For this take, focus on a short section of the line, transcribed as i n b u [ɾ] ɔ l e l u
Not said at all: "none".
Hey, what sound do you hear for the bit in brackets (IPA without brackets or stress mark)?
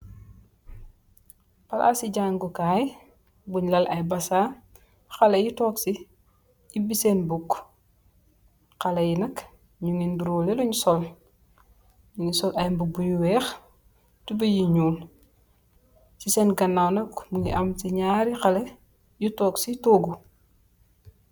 ɾ